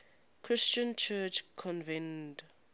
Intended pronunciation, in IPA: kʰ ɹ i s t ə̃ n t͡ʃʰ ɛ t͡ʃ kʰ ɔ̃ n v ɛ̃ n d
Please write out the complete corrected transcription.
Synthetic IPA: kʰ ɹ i s t͡ʃ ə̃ n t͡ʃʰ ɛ t͡ʃ kʰ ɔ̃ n v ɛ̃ n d